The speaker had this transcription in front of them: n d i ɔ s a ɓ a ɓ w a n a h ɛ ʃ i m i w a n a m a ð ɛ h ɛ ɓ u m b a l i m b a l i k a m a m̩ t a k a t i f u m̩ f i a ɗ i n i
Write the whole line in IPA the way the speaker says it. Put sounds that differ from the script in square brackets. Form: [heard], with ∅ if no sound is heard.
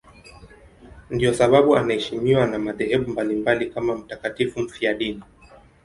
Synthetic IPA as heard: n d i ɔ s a ɓ a ɓ [u] a n a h ɛ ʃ i m i w a n a m a ð ɛ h ɛ ɓ u m b a l i m b a l i k a m a m̩ t a k a t i f u m̩ f i a ɗ i n i